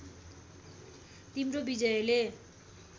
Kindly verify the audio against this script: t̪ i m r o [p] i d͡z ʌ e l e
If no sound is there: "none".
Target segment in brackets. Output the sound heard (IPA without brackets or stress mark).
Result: b